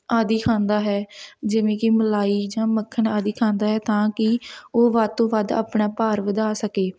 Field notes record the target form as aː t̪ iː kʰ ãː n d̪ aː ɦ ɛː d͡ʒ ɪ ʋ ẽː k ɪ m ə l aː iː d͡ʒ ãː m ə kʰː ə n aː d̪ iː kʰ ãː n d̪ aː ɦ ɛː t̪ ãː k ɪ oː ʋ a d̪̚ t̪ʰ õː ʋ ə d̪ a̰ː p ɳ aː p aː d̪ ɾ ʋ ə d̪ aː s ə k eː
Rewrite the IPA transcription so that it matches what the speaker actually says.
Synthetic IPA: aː d̪ iː kʰ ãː n d̪ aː ɦ ɛː d͡ʒ ɪ ʋ ẽː k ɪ m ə l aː iː d͡ʒ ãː m ə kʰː ə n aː d̪ iː kʰ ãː n d̪ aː ɦ ɛː t̪ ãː k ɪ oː ʋ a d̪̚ t̪ õː ʋ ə d̪ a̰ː p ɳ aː p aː ɾ ʋ ə d̪ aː s ə k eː